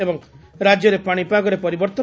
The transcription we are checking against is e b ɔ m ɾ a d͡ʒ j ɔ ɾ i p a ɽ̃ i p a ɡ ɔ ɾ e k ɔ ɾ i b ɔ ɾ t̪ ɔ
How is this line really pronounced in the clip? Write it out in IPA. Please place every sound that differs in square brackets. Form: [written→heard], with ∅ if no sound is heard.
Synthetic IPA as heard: e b ɔ [m→ŋ] ɾ a d͡ʒ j ɔ ɾ [i→e] p a ɽ̃ i p a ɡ ɔ ɾ e [k→p] ɔ ɾ i b ɔ ɾ t̪ ɔ